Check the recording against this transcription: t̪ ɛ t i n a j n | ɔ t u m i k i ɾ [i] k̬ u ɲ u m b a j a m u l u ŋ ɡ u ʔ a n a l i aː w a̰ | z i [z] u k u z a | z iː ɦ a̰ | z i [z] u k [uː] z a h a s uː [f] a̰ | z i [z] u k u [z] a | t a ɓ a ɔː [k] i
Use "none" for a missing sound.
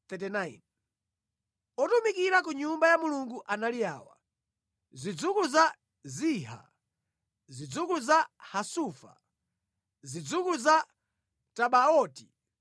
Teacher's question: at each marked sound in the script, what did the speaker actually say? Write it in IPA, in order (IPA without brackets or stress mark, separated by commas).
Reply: a, d͡z, d͡z, u, f, d͡z, z, t